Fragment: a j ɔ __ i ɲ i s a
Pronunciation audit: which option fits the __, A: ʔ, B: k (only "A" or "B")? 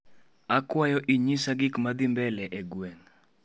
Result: A